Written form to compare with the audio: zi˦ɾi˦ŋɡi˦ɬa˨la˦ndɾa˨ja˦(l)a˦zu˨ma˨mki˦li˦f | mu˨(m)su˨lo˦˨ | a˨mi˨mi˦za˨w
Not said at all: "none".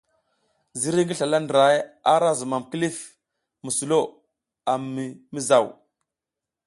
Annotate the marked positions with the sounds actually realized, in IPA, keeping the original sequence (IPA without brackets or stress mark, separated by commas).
ɾ, none